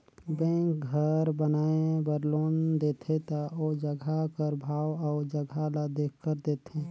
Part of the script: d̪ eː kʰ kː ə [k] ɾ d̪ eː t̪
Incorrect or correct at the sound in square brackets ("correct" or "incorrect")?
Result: incorrect